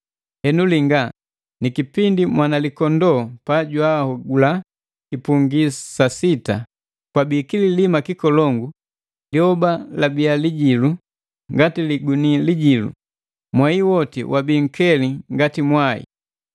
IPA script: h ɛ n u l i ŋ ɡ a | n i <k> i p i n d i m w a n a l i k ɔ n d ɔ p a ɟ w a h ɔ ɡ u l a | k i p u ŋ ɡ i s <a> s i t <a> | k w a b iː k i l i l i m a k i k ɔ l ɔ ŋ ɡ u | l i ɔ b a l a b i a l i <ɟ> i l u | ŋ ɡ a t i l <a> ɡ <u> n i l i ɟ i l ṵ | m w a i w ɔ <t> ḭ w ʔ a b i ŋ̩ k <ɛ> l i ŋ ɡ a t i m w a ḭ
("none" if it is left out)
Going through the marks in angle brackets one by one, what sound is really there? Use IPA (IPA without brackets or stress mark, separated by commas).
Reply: k, a, a, ɟ, i, u, t, ɛ